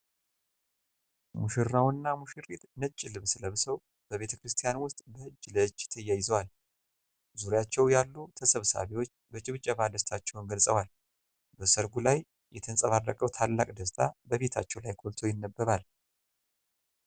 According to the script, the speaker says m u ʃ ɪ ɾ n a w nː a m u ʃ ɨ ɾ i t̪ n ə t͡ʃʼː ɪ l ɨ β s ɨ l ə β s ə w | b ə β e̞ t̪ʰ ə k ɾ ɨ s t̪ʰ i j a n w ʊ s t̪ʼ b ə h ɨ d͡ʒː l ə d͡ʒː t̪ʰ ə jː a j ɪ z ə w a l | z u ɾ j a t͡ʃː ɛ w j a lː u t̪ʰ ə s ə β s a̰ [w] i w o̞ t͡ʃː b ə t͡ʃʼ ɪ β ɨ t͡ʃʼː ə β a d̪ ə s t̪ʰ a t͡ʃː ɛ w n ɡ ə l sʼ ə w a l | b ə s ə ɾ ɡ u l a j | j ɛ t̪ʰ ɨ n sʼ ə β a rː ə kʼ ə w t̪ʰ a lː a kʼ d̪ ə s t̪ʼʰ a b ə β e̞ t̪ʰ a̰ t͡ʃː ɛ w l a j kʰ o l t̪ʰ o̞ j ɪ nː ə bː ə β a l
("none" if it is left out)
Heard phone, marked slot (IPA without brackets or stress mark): β